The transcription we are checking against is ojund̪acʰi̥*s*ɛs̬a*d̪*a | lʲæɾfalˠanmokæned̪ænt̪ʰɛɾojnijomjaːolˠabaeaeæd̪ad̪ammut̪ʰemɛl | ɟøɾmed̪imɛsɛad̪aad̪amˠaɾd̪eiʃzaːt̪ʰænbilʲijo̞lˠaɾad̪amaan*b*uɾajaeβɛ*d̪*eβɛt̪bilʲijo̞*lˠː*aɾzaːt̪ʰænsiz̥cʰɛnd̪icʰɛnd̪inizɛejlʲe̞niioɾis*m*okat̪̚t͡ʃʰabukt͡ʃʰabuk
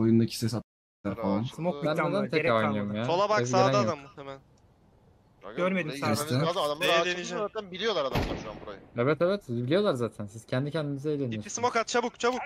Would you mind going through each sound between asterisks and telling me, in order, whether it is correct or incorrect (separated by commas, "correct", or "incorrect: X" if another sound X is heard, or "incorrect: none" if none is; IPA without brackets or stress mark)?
correct, incorrect: t̪, correct, incorrect: t̪, incorrect: lˠ, correct